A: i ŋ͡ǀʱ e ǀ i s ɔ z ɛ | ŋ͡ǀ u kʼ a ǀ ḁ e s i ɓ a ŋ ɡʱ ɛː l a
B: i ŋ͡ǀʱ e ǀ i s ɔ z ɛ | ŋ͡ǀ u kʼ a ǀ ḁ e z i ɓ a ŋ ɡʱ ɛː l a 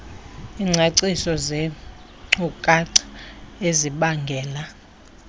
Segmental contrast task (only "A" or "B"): B